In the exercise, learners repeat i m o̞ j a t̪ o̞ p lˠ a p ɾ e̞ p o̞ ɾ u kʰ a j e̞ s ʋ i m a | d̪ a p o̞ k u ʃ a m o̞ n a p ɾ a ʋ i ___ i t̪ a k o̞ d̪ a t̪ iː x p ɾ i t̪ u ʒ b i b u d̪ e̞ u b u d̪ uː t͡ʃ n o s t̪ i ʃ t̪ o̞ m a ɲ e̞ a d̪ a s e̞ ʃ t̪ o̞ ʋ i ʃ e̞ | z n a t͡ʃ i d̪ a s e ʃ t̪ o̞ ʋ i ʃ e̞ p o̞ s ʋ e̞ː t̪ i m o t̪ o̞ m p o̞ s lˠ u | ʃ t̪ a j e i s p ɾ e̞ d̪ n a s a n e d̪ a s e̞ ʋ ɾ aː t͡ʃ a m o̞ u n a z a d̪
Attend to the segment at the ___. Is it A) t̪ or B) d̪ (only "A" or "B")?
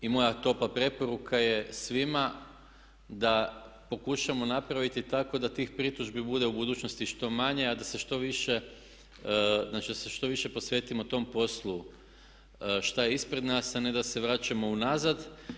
A